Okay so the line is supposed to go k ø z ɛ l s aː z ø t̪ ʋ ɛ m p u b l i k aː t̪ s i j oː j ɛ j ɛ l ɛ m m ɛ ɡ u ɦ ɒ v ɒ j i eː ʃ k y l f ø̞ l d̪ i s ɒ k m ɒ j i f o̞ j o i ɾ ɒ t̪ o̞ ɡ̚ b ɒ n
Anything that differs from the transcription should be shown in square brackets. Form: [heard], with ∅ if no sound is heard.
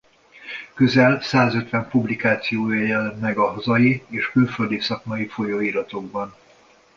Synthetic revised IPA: k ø z ɛ l s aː z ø t̪ ʋ ɛ m p u b l i k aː t̪ s i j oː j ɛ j ɛ l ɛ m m ɛ ɡ [ɒ] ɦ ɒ [z] ɒ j i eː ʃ k y l f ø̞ l d̪ i s ɒ k m ɒ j i f o̞ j o i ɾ ɒ t̪ o̞ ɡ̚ b ɒ n